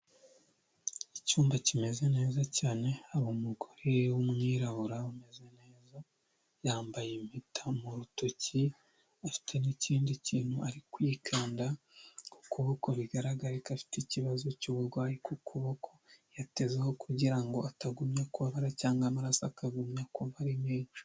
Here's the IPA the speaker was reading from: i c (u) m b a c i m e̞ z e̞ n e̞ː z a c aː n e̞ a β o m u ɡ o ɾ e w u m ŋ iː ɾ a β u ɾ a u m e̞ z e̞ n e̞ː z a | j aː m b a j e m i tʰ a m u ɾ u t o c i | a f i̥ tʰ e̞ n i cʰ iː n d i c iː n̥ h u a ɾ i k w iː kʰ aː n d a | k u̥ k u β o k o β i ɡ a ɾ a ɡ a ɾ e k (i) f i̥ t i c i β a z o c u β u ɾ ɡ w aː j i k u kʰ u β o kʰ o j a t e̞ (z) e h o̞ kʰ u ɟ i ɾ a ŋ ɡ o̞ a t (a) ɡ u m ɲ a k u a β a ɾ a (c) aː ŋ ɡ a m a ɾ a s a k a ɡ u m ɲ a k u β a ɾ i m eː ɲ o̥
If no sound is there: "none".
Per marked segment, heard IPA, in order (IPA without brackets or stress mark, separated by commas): uː, a, z, a, c